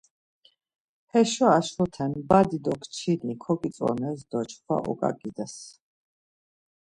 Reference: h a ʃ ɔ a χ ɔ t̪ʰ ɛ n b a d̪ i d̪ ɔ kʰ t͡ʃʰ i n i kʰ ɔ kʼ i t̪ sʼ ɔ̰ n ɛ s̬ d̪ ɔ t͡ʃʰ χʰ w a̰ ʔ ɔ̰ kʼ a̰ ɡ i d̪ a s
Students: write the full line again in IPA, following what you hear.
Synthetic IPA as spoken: h ɛ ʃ ɔ a ʃ ɔ t̪ʰ ɛ n b a d̪ i d̪ ɔ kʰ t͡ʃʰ i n i kʰ ɔ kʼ i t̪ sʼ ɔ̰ n ɛ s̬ d̪ ɔ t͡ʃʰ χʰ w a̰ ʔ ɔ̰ kʼ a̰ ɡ i d̪ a s